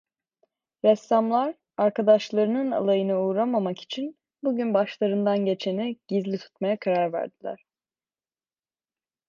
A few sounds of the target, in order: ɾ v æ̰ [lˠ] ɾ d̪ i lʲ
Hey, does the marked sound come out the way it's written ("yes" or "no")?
no